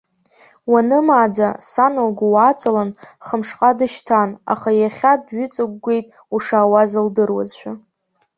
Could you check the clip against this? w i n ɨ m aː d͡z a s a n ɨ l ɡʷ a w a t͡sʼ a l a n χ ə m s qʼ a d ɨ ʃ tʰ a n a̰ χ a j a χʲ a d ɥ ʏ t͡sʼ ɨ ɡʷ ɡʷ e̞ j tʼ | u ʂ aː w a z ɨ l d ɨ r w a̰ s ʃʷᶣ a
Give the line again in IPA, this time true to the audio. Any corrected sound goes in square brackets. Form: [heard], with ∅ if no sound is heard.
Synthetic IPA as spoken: w [a] n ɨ m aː d͡z a s a n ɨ l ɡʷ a w a t͡sʼ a l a n χ ə m [ʂ] qʼ a d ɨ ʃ tʰ a n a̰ χ a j a χʲ a d ɥ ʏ t͡sʼ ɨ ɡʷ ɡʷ e̞ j tʼ | u ʂ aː w a z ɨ l d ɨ r w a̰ [z] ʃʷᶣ a

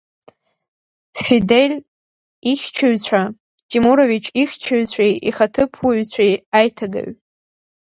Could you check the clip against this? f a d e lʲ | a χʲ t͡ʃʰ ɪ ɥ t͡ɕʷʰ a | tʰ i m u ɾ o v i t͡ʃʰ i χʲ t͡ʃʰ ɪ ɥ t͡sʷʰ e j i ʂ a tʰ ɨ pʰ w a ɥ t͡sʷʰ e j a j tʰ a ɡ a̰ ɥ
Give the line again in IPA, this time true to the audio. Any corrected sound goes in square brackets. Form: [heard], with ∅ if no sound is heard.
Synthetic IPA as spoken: f [i] d e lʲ | [i] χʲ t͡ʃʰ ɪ ɥ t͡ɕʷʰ a | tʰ i m u ɾ o v i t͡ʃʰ i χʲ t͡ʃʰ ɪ ɥ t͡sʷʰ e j i [χ] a tʰ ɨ pʰ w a ɥ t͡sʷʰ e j a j tʰ a ɡ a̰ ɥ

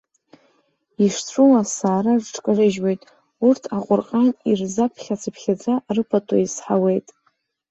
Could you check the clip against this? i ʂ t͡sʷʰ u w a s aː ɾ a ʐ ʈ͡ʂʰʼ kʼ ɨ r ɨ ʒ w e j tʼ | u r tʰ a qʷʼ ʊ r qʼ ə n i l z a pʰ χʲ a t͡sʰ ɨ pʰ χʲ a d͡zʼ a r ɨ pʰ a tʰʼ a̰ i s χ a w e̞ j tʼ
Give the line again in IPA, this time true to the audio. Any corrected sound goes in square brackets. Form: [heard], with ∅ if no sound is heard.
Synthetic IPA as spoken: i ʂ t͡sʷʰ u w a s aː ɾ a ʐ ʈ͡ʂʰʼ kʼ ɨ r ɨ ʒ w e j tʼ | u r tʰ a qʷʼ ʊ r qʼ [a] n i [r] z a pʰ χʲ a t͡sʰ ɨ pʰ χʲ a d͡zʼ a r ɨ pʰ a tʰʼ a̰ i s [ħ] a w e̞ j tʼ

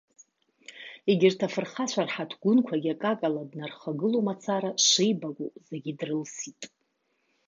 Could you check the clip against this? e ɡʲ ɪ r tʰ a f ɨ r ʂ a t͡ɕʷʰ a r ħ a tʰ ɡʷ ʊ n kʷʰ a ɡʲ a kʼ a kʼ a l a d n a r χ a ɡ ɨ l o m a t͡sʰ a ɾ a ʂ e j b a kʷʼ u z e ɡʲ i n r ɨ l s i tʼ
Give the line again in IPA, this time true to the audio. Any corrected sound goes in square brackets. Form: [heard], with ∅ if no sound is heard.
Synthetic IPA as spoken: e ɡʲ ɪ r tʰ a f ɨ r [χ] a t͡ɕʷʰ a r ħ a tʰ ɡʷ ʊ n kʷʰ a ɡʲ a kʼ a kʼ a l a d n a r χ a ɡ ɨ l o m a t͡sʰ a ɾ a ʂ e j b a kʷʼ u z e ɡʲ i [d] r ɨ l s i tʼ

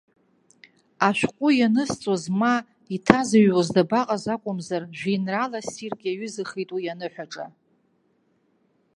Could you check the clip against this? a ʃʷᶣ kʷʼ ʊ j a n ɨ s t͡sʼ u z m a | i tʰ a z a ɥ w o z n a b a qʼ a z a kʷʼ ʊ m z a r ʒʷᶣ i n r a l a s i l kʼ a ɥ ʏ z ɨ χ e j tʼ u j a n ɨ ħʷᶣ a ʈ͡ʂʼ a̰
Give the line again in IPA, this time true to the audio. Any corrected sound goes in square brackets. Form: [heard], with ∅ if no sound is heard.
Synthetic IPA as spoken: a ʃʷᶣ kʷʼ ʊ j a n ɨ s t͡sʼ [o] z m a | i tʰ a z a ɥ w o z [d] a b a qʼ a z a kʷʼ ʊ m z a r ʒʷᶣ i n r a l a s i [r] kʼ a ɥ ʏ z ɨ χ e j tʼ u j a n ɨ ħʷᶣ a ʈ͡ʂʼ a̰

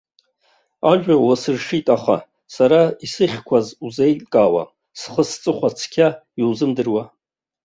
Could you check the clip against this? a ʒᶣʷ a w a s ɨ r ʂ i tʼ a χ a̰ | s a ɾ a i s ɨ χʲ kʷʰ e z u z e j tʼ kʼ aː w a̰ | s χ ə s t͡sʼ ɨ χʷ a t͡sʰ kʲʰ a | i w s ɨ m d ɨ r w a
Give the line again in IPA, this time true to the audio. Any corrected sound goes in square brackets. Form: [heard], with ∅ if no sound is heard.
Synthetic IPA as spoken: a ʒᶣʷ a w a s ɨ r ʂ i tʼ a χ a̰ | s a ɾ a i s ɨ χʲ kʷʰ [a] z u z e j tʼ kʼ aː w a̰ | s χ ə s t͡sʼ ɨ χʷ a t͡sʰ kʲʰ a | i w [z] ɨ m d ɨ r w a

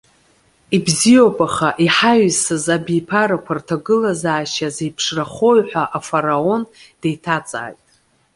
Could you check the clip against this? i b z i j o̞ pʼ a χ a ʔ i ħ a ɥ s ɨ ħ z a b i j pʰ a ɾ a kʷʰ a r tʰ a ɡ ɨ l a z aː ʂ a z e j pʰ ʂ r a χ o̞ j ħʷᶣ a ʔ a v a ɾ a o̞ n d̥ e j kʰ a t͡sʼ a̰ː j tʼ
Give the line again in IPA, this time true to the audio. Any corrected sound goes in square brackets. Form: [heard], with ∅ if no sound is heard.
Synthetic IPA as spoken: i b z i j o̞ pʼ a χ a ʔ i ħ a ɥ s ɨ [∅] z a b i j pʰ a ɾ a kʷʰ a r tʰ a ɡ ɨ l a z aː [ʃ] a z e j pʰ ʂ r a χ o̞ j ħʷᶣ a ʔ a [f] a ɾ a o̞ n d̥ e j [tʰ] a t͡sʼ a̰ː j tʼ

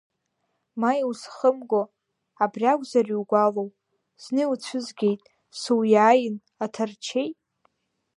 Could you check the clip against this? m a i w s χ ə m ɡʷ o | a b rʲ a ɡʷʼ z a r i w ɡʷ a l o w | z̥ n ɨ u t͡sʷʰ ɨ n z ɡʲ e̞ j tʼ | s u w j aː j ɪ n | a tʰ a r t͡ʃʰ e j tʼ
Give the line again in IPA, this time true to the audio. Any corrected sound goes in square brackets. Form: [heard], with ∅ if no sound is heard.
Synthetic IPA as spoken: m a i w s χ ə m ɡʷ o | a b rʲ a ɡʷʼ z a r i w ɡʷ a l o w | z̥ n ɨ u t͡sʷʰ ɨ [∅] z ɡʲ e̞ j tʼ | s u w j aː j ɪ n | a tʰ a r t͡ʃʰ e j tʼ

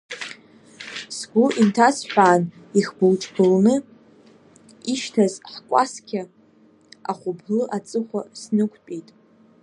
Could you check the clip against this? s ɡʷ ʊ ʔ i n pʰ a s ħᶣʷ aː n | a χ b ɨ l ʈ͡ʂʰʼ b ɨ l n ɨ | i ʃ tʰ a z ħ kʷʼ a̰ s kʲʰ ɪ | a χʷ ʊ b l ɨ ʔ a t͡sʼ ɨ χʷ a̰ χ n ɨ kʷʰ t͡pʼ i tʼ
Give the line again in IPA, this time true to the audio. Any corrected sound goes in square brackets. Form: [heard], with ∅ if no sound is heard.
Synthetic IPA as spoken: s ɡʷ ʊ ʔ i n [tʰ] a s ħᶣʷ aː n | [i] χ b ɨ l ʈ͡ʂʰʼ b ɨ l n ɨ | i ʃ tʰ a z ħ kʷʼ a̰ s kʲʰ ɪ | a χʷ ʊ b l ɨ ʔ a t͡sʼ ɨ χʷ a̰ [s] n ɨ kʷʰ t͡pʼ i tʼ

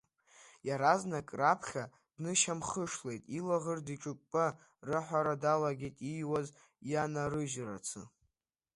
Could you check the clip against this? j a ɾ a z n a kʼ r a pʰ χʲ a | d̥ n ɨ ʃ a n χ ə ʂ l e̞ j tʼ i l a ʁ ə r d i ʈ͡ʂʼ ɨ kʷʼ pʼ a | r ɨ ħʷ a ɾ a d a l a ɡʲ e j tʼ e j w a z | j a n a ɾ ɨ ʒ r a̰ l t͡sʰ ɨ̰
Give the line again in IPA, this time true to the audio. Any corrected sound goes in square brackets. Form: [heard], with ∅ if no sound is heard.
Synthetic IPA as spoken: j a ɾ a z n a kʼ r a pʰ χʲ a | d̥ n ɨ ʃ a [m] χ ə ʂ l e̞ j tʼ i l a ʁ ə r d i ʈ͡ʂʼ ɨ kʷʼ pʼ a | r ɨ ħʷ a ɾ a d a l a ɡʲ e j tʼ [i] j w a z | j a n a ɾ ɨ ʒ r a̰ [∅] t͡sʰ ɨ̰

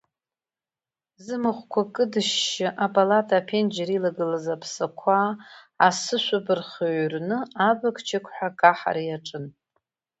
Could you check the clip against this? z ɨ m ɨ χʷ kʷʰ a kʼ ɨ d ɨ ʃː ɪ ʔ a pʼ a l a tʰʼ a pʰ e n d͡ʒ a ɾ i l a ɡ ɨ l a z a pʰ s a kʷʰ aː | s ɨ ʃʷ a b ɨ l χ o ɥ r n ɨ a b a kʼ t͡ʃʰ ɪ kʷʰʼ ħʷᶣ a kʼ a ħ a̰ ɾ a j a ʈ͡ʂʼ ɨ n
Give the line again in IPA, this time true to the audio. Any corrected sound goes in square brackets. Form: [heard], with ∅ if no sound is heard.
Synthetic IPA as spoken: z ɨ m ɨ χʷ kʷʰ a kʼ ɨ d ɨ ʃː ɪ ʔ a pʼ a l a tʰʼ a pʰ e n d͡ʒ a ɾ i l a ɡ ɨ l a z a pʰ s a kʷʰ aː | s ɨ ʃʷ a b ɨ [r] χ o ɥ r n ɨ a b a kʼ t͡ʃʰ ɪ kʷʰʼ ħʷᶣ a kʼ a ħ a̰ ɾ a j a ʈ͡ʂʼ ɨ n

